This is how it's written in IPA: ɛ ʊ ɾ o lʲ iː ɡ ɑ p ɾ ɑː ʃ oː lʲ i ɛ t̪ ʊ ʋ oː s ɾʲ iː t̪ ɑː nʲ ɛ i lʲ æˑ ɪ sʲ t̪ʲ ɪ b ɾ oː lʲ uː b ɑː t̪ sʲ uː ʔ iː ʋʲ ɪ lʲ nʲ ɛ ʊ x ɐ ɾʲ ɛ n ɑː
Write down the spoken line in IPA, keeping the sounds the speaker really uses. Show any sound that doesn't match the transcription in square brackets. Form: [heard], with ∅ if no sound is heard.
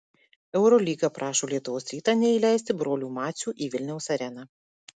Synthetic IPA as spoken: ɛ ʊ ɾ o lʲ iː ɡ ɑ p ɾ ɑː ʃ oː lʲ i ɛ t̪ ʊ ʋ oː s ɾʲ iː t̪ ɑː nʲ ɛ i lʲ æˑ ɪ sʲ t̪ʲ ɪ b ɾ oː lʲ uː [m] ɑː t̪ sʲ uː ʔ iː ʋʲ ɪ lʲ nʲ ɛ ʊ [s] ɐ ɾʲ ɛ n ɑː